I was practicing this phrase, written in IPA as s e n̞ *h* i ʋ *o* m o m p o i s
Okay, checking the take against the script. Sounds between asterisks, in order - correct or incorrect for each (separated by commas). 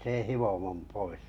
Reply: correct, correct